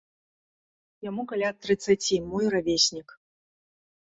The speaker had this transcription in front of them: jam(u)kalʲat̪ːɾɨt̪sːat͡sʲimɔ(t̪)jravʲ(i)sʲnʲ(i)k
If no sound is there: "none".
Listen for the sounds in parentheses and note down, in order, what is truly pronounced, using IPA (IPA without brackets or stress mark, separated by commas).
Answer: u, none, e, i